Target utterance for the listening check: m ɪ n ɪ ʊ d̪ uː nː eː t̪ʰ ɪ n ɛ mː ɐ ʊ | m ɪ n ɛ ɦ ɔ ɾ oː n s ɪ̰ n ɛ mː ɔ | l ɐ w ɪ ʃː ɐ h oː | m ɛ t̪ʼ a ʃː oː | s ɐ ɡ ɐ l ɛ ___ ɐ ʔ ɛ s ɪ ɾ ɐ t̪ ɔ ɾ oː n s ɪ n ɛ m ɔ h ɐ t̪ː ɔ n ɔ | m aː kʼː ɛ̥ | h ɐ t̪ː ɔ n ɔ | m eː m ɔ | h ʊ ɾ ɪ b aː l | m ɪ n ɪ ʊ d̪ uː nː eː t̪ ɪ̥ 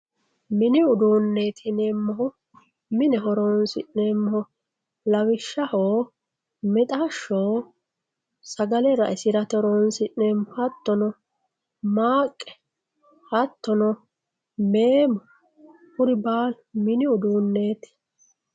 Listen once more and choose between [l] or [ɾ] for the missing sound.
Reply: ɾ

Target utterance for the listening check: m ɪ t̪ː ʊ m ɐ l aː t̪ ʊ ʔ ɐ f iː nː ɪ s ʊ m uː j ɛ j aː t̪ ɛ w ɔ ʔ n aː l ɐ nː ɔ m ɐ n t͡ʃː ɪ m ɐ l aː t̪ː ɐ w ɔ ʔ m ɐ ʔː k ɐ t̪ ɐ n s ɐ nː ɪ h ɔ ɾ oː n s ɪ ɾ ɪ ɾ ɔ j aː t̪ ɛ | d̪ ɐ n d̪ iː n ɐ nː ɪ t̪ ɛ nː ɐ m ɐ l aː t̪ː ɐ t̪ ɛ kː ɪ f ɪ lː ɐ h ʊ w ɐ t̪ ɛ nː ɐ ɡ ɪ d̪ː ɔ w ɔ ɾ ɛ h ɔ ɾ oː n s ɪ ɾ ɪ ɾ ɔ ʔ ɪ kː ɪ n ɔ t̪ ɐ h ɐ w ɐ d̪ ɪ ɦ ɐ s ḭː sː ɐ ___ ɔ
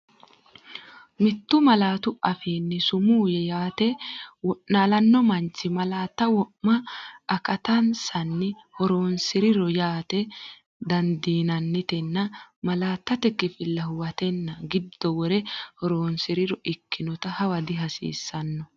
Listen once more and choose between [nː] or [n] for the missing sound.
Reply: nː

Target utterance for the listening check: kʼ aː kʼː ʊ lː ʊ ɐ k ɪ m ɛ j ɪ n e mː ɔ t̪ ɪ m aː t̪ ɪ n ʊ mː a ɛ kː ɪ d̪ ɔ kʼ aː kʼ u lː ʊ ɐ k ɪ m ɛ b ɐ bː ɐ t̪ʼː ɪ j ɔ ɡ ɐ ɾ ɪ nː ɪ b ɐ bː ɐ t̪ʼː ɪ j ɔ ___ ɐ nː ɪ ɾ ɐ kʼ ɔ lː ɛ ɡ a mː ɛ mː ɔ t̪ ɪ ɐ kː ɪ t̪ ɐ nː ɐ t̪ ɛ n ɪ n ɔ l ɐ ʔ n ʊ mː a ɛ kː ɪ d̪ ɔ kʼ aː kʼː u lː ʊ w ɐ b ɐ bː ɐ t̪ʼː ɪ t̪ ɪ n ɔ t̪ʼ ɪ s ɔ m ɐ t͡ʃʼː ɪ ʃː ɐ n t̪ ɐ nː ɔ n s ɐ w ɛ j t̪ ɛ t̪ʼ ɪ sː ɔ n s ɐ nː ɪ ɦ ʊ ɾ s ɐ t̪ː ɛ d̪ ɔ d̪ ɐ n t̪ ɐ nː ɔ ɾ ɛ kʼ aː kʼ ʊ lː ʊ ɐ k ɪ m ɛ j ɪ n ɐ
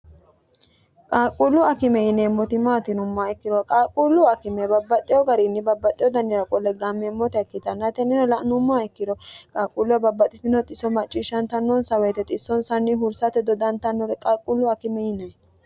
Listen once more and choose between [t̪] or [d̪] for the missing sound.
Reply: d̪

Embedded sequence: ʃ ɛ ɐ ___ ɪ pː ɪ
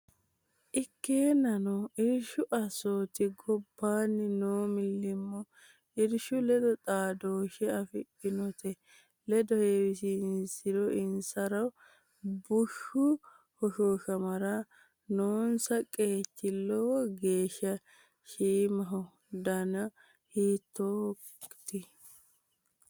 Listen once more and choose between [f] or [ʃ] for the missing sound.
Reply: f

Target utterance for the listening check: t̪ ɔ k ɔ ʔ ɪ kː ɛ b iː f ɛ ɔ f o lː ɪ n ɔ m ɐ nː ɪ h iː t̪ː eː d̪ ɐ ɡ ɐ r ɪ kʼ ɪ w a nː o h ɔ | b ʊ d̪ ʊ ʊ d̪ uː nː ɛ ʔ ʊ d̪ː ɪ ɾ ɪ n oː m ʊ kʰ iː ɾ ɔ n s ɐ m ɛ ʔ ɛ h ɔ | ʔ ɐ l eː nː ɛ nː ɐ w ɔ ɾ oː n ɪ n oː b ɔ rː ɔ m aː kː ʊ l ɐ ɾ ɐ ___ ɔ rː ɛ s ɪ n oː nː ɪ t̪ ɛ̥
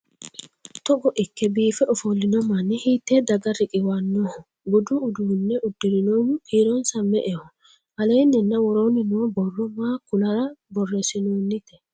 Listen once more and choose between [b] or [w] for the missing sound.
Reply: b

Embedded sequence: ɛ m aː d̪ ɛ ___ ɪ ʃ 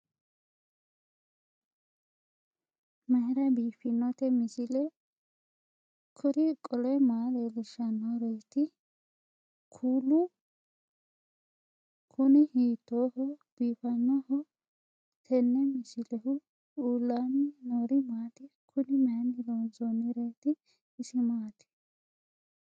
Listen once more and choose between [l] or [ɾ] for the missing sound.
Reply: l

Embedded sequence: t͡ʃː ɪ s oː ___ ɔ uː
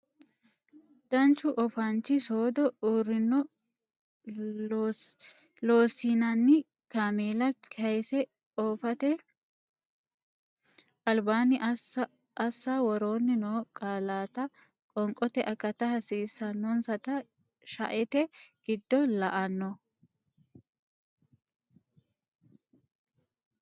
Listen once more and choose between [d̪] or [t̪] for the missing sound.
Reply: d̪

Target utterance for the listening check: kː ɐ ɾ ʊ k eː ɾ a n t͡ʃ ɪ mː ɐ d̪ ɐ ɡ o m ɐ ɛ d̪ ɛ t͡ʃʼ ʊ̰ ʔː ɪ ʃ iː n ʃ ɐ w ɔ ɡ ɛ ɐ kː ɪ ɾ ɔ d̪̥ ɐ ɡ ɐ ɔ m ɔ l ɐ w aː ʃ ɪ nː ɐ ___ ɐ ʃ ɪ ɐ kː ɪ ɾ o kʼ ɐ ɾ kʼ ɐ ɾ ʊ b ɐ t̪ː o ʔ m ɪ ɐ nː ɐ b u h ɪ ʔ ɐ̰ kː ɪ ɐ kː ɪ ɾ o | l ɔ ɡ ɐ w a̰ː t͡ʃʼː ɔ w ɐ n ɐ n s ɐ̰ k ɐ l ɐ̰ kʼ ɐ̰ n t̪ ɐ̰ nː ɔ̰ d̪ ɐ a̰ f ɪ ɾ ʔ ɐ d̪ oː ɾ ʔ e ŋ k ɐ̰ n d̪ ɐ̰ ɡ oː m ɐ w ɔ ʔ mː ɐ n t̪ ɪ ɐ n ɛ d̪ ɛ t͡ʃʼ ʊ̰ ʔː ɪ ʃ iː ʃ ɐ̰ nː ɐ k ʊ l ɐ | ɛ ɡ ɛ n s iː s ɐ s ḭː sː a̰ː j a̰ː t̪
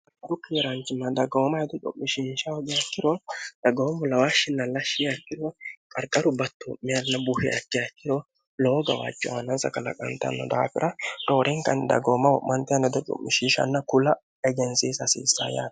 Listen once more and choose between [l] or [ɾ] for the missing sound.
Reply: l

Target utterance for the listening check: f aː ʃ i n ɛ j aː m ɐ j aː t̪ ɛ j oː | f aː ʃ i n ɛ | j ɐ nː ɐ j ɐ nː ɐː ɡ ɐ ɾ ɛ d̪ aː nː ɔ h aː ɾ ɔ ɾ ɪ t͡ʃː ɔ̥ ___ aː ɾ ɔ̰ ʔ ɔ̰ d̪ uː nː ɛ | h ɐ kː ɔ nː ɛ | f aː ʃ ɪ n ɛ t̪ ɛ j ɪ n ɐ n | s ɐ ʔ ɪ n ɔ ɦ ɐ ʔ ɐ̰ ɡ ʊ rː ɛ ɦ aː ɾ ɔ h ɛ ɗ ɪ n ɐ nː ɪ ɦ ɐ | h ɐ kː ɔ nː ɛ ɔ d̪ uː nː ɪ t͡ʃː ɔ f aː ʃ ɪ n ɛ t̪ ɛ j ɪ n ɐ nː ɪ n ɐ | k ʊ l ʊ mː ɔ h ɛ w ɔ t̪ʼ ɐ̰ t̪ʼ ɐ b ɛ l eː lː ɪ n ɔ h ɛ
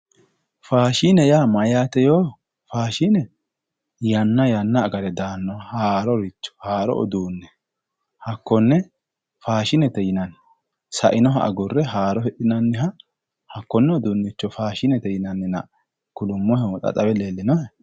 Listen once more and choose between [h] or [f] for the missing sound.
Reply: h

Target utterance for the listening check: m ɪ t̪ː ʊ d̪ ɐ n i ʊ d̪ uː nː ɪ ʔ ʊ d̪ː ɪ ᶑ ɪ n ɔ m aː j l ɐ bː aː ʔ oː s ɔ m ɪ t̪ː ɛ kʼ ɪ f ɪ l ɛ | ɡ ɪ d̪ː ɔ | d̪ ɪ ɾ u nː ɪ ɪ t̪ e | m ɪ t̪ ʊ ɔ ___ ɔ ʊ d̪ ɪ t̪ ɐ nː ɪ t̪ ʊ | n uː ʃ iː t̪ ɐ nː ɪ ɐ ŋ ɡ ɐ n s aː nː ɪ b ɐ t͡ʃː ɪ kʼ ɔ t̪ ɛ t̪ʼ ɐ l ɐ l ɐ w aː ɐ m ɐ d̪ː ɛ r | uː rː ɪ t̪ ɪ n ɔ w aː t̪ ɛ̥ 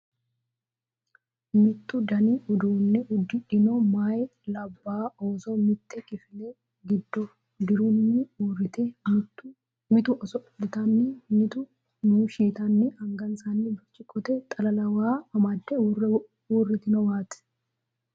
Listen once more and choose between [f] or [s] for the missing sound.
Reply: s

